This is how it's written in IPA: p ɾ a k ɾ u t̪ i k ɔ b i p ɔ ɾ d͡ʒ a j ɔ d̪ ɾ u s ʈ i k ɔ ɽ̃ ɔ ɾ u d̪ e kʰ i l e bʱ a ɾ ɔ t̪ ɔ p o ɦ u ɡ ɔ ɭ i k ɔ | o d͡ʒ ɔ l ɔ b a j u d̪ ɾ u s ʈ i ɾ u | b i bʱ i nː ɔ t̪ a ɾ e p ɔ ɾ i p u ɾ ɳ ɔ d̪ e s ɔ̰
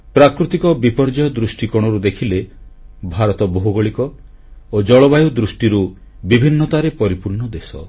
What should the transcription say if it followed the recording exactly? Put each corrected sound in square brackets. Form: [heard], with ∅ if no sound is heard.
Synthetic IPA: p ɾ a k ɾ u t̪ i k ɔ b i p ɔ ɾ d͡ʒ a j ɔ d̪ ɾ u s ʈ i k ɔ ɽ̃ ɔ ɾ u d̪ e kʰ i l e bʱ a ɾ ɔ t̪ ɔ [b] o ɦ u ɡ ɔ ɭ i k ɔ | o d͡ʒ ɔ [ɭ] ɔ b a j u d̪ ɾ u s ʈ i ɾ u | b i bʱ i nː ɔ t̪ a ɾ e p ɔ ɾ i p u ɾ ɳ ɔ d̪ e s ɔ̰